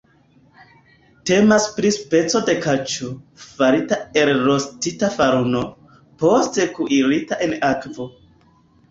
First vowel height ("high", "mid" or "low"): mid